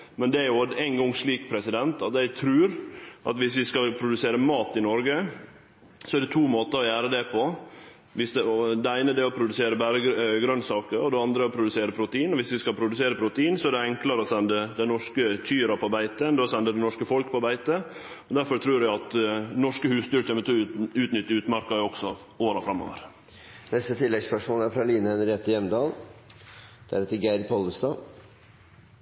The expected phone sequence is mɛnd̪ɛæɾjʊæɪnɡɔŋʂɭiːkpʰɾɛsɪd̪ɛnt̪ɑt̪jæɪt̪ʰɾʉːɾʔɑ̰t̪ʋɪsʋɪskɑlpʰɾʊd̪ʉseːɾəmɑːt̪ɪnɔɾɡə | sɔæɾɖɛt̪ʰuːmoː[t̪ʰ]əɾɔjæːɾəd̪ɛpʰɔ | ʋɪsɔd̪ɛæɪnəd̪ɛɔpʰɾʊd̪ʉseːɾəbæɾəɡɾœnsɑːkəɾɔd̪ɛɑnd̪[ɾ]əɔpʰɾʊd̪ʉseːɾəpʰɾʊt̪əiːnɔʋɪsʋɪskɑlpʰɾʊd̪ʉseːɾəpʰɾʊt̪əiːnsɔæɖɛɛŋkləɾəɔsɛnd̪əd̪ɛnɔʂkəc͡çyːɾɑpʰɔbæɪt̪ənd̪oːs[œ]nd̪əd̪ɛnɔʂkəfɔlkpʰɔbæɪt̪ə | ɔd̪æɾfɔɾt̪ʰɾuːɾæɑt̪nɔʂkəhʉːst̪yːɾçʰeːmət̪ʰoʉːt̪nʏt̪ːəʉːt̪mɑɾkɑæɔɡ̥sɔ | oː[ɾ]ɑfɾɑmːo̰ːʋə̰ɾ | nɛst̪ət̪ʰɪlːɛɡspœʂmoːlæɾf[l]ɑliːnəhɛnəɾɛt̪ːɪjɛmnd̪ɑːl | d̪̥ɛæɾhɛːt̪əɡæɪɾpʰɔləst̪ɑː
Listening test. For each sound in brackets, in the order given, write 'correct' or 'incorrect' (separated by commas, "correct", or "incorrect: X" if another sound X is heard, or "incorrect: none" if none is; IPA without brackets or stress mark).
incorrect: t̪, correct, incorrect: ɛ, correct, incorrect: ɾ